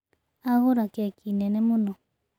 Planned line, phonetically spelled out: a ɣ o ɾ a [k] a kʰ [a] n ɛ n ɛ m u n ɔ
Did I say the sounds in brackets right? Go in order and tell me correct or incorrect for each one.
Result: correct, incorrect: i

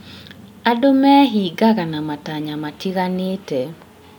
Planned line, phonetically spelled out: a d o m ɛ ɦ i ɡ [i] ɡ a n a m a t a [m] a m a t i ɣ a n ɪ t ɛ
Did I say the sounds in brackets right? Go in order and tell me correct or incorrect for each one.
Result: incorrect: a, incorrect: ɲ

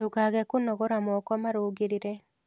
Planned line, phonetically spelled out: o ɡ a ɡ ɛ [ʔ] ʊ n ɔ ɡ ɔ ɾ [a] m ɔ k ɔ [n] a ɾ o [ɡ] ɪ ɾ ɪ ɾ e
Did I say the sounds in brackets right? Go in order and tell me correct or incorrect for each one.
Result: incorrect: k, correct, incorrect: m, correct

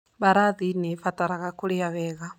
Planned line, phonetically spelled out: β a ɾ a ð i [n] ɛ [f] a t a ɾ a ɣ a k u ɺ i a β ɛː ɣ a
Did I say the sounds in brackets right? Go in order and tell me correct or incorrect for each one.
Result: correct, correct

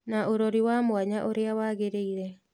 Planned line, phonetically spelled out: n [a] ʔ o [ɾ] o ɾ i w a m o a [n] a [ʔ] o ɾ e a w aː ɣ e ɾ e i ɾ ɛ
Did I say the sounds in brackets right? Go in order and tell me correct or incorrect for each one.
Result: correct, correct, incorrect: ɲ, correct

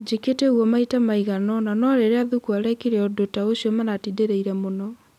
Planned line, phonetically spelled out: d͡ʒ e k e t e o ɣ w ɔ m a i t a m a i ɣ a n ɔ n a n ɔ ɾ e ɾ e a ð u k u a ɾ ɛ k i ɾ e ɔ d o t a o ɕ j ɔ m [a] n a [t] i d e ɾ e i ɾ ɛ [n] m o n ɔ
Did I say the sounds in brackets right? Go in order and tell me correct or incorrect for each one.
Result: correct, correct, incorrect: none

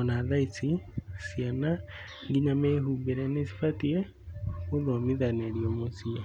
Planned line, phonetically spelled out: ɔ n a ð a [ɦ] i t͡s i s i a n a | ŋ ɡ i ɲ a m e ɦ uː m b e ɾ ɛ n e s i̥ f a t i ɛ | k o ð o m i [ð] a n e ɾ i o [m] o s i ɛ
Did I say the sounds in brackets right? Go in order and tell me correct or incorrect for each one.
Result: incorrect: none, correct, correct

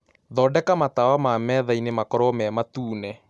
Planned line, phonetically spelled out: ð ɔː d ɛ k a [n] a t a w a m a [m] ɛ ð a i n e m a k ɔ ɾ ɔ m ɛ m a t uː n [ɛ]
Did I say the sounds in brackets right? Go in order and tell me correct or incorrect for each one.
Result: incorrect: m, correct, correct

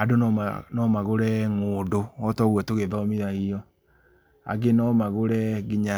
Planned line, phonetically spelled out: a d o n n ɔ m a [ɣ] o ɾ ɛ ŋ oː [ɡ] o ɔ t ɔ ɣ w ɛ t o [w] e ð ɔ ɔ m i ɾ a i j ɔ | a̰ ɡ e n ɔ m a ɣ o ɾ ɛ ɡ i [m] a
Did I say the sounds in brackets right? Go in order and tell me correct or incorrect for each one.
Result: correct, incorrect: d, incorrect: ɣ, incorrect: ɲ

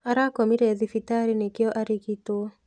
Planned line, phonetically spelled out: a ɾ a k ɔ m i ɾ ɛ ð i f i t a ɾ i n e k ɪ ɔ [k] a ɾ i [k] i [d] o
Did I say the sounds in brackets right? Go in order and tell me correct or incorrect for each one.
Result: incorrect: ʔ, correct, incorrect: t

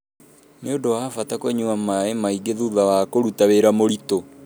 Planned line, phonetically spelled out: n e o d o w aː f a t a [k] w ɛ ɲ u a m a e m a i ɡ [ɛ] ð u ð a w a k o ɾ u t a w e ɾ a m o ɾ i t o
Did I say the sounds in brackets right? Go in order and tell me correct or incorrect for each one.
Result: correct, incorrect: e

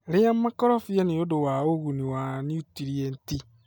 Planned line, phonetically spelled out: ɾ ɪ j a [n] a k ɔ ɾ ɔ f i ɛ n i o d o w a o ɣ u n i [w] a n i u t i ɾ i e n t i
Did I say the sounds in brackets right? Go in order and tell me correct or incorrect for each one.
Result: incorrect: m, correct

